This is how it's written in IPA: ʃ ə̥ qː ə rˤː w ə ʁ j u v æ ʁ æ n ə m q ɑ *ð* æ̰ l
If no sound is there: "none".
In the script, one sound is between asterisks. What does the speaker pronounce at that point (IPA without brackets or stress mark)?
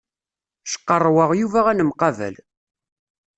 v